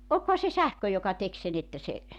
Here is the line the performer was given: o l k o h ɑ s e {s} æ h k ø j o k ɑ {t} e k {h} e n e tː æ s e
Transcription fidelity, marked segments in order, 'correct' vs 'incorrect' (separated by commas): correct, correct, incorrect